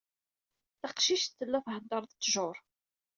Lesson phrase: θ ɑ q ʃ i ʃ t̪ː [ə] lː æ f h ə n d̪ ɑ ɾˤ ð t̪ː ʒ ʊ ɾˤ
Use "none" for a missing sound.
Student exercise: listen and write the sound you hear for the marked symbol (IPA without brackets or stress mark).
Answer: ə